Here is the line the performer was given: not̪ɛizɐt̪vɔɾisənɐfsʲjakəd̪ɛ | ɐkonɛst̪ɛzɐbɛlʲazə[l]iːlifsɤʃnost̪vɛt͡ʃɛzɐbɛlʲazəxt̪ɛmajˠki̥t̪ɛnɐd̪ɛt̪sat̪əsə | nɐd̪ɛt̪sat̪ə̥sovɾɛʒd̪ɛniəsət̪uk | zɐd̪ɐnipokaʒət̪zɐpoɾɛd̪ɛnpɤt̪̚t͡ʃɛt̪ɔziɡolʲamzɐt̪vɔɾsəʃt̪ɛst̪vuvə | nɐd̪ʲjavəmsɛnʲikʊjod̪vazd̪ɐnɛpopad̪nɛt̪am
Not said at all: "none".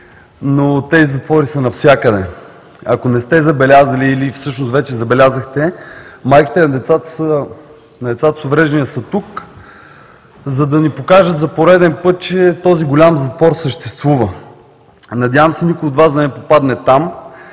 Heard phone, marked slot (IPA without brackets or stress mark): l